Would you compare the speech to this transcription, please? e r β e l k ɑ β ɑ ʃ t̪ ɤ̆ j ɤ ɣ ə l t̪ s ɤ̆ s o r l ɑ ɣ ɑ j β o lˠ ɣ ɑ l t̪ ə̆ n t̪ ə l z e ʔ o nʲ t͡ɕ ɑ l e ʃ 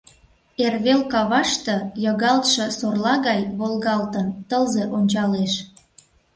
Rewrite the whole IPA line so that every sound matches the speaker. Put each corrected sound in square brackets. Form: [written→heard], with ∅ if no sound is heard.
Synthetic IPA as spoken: e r β e l k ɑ β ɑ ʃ t̪ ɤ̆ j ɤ ɣ [ə→ɑ] l t̪ [s→ʃ] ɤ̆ s o r l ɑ ɣ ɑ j β o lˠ ɣ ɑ l t̪ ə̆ n t̪ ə l z e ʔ o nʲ t͡ɕ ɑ l e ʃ